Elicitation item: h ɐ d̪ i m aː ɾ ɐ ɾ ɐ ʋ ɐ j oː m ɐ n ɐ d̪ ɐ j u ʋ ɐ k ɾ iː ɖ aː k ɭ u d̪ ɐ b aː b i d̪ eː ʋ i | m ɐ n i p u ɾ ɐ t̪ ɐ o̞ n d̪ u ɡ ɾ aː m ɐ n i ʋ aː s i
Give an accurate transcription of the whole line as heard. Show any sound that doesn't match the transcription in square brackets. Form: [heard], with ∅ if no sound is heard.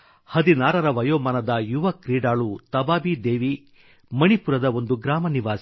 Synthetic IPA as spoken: h ɐ d̪ i [n] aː ɾ ɐ ɾ ɐ ʋ ɐ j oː m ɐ n ɐ d̪ ɐ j u ʋ ɐ k ɾ iː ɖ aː [∅] ɭ u [t̪] ɐ b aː b i d̪ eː ʋ i | m ɐ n i p u ɾ ɐ [d̪] ɐ o̞ n d̪ u ɡ ɾ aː m ɐ n i ʋ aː s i